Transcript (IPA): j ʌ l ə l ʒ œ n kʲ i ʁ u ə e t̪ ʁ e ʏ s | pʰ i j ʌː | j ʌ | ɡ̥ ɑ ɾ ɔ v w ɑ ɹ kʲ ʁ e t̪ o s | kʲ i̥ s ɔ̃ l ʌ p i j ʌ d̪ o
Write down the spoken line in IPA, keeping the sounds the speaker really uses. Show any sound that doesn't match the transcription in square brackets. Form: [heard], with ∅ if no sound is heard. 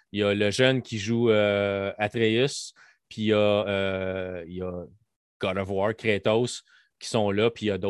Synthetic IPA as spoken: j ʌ l ə [∅] ʒ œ n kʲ i [ʒ] u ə [a] t̪ ʁ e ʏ s | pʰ i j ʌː | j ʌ | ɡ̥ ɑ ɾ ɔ v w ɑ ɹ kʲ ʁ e t̪ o s | kʲ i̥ s ɔ̃ l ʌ p i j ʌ d̪ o